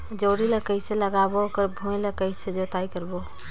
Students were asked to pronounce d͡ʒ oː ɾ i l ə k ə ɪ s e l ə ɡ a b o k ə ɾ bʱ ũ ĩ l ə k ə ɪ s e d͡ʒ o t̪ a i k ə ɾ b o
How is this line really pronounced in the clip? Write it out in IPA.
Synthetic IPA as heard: d͡ʒ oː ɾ i l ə k ə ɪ s e l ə ɡ a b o k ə ɾ bʱ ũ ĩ l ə k ə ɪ s e d͡ʒ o t̪ a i k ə ɾ b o